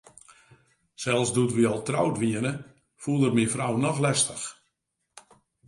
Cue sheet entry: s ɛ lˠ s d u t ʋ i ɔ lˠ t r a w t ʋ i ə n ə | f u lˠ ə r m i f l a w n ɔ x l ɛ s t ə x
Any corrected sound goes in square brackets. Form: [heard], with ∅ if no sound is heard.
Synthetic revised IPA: s ɛ lˠ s d u t ʋ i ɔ lˠ t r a w t ʋ i ə n ə | f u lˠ ə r m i f [r] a w n ɔ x l ɛ s t ə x